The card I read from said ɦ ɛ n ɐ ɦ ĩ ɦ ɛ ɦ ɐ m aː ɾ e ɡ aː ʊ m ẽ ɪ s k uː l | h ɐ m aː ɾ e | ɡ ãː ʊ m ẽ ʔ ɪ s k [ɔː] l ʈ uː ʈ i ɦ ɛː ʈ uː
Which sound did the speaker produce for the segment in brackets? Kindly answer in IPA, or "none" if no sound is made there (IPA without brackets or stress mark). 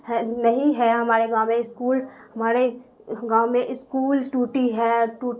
uː